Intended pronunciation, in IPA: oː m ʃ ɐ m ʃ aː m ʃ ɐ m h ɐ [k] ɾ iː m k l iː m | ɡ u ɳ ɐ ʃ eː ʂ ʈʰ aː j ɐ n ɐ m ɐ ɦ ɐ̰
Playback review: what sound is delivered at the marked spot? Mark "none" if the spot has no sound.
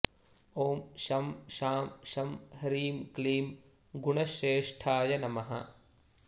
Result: none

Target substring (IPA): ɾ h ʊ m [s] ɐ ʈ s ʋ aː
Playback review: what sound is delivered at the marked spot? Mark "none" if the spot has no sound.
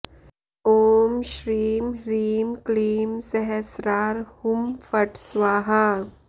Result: f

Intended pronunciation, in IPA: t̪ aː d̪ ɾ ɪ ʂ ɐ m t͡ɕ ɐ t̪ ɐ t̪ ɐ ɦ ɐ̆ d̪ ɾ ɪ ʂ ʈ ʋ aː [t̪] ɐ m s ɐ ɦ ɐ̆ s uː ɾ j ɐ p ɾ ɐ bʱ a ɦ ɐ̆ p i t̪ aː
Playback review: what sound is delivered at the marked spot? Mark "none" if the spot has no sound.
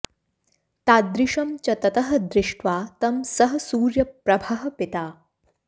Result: t̪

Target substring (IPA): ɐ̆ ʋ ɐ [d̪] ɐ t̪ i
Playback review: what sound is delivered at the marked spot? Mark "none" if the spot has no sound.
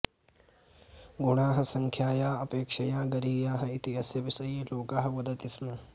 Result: d̪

